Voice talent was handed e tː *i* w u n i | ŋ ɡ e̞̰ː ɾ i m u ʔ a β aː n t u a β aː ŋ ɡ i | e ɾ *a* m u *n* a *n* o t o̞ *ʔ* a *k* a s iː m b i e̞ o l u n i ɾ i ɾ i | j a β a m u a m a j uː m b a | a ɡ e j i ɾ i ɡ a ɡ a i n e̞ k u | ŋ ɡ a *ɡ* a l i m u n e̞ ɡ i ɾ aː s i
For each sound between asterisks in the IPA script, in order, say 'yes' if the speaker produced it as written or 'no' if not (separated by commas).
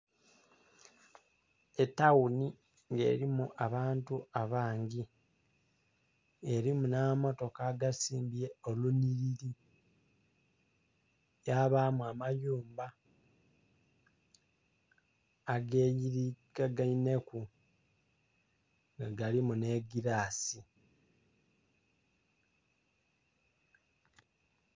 no, no, yes, no, no, no, yes